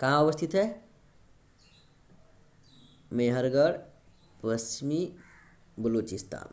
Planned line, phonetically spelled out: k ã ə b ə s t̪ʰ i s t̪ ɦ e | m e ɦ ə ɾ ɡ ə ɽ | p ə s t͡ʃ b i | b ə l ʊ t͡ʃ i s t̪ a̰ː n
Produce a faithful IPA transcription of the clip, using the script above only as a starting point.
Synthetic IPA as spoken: k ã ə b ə s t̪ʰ i t̪ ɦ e | m e ɦ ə ɾ ɡ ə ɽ | p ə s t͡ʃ m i | b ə l u t͡ʃ i s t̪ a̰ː n